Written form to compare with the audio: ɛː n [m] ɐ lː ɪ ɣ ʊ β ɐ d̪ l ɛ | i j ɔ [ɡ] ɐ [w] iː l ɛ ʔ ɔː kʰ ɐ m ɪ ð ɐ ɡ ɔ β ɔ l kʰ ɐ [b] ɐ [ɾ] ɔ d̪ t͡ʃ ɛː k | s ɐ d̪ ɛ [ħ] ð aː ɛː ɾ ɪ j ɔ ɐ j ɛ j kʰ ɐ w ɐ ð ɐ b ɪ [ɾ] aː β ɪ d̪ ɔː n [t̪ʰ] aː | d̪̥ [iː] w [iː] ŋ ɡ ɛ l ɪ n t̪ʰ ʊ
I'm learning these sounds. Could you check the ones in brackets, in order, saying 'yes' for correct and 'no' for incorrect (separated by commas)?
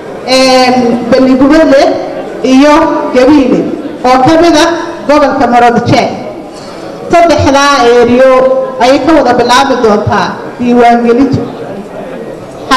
no, yes, no, no, yes, yes, no, yes, yes, no